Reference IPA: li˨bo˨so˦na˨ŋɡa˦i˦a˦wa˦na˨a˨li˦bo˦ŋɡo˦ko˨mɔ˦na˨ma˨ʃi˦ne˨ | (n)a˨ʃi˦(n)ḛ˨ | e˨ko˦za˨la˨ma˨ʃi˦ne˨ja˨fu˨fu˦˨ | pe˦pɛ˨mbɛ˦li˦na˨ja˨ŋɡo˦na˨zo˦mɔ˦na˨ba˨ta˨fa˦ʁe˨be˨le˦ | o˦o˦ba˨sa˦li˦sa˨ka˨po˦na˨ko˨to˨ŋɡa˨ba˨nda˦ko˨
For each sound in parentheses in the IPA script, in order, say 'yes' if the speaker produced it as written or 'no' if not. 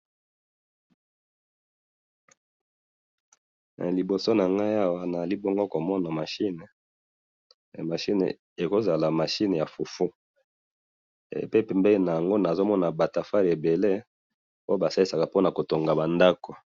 no, yes

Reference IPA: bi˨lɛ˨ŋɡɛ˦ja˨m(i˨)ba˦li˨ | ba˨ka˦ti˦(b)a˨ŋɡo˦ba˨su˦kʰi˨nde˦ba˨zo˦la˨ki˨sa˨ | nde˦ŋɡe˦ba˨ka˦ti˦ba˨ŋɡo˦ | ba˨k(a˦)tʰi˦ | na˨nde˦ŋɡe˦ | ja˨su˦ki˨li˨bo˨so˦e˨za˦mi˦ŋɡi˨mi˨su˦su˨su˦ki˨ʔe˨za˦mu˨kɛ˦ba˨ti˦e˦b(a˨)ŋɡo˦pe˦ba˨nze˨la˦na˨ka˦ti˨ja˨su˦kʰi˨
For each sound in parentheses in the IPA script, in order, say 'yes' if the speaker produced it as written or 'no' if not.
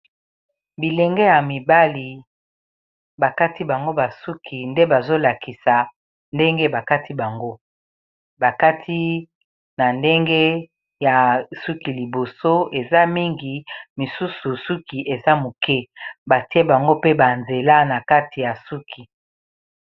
yes, yes, yes, yes

